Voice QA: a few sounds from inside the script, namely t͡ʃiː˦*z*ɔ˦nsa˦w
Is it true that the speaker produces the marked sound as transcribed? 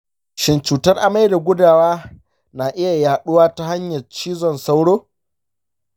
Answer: yes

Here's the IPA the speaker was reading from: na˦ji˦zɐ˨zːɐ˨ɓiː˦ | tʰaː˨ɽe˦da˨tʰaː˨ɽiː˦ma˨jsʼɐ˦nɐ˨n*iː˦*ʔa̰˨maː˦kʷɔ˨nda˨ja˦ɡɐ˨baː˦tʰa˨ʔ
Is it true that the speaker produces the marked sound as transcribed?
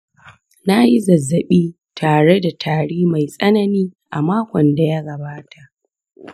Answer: yes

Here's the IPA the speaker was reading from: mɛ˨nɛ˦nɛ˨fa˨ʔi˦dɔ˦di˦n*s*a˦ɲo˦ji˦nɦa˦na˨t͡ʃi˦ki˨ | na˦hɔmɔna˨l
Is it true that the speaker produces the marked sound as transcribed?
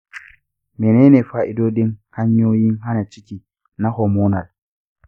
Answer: no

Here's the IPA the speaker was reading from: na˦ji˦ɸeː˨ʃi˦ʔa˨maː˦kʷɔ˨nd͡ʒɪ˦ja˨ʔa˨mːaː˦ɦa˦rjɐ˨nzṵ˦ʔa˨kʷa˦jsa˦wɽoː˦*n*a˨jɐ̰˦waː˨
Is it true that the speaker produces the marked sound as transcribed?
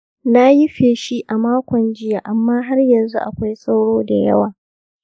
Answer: no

